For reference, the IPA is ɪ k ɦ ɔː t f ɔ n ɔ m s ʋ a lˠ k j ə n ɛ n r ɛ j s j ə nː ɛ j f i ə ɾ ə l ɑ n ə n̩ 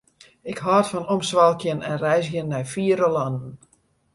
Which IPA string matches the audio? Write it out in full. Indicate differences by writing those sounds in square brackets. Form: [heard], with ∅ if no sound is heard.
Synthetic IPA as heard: ɪ k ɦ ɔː t f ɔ n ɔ m s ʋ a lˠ k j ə n ɛ n r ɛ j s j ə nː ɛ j f i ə ɾ ə l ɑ n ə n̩